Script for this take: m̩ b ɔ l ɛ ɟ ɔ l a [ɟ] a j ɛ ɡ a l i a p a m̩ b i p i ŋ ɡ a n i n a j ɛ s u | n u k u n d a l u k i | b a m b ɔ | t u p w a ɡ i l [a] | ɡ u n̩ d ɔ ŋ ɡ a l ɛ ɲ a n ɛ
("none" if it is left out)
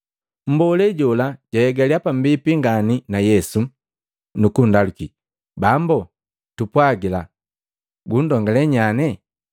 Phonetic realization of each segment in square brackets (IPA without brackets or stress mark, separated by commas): ɟ, a